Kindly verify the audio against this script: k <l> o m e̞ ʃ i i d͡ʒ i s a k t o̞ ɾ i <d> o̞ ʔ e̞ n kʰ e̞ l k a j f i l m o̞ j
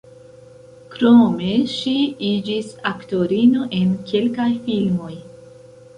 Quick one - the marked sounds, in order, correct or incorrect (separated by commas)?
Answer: incorrect, incorrect